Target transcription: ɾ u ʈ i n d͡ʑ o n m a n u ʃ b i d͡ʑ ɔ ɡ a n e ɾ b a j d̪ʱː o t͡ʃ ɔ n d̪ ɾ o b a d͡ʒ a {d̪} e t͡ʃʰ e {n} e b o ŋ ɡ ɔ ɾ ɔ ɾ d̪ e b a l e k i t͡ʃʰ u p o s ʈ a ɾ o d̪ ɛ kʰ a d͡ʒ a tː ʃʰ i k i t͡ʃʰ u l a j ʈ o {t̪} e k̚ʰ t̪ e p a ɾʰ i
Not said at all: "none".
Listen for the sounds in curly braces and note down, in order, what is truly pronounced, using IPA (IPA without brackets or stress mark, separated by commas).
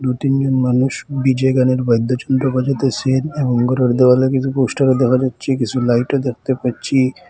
t̪, n, d̪